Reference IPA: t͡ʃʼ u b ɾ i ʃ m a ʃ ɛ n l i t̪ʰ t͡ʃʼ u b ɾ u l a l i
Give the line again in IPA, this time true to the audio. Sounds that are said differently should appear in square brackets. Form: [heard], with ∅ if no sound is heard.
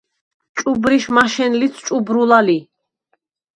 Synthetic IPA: t͡ʃʼ u b ɾ i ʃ m a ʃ ɛ n l i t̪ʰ t͡ʃʼ u b ɾ u l a l i